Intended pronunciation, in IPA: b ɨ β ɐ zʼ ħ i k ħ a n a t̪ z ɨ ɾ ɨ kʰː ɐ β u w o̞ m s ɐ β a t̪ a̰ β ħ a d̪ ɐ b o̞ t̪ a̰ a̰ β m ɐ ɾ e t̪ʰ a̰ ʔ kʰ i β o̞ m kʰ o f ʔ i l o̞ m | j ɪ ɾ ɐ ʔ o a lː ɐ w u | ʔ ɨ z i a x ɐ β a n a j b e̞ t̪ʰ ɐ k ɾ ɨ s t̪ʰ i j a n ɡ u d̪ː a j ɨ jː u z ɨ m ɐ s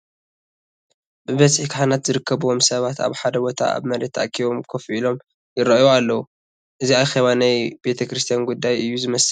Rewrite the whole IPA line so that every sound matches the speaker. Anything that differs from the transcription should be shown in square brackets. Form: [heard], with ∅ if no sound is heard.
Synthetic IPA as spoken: b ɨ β ɐ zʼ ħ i k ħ a n a t̪ z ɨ ɾ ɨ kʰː ɐ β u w o̞ m s ɐ β a t̪ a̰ β ħ a d̪ ɐ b o̞ [t̪ʰ] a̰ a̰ β m ɐ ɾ e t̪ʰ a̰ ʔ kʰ i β o̞ m kʰ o f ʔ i l o̞ m | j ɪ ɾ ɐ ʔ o a lː ɐ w u | ʔ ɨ z i a x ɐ β a n a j b e̞ t̪ʰ ɐ k ɾ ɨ s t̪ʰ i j a n ɡ u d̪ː a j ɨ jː u z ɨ m ɐ s